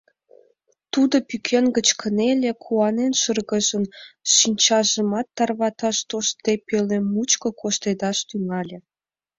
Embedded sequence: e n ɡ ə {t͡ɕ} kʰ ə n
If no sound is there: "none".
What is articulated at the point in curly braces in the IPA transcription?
t͡ɕ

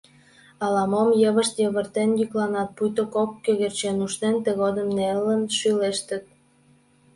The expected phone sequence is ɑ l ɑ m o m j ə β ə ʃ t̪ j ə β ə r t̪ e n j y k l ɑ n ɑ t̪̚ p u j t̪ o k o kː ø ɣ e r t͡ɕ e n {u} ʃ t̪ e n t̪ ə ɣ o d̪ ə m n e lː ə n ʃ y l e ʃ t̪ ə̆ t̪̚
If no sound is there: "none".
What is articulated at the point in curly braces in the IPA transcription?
u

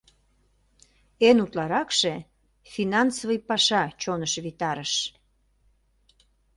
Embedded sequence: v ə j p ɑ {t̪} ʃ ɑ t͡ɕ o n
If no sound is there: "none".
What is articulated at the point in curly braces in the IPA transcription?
none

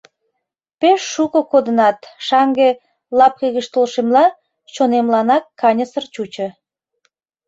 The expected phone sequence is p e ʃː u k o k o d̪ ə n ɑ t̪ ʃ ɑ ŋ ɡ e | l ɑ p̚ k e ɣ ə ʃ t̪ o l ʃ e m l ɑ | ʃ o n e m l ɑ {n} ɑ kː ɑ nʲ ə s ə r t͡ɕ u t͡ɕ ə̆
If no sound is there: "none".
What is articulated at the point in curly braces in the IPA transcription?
n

